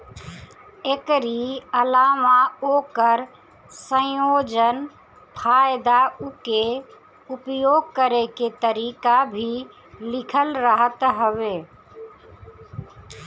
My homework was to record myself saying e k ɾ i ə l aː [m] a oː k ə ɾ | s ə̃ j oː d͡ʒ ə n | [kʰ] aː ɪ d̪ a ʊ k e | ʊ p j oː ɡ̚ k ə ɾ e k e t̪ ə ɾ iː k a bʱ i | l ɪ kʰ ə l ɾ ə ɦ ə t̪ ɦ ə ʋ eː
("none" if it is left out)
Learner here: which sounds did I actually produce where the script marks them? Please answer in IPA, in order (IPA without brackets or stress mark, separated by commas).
m, pʰ